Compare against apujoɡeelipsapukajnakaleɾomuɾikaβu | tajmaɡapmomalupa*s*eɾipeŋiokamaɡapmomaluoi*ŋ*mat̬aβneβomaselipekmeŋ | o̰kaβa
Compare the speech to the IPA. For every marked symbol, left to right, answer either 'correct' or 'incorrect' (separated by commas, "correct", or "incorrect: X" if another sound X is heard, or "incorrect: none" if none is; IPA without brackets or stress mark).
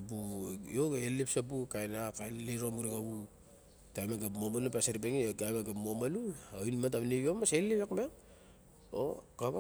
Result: correct, incorrect: n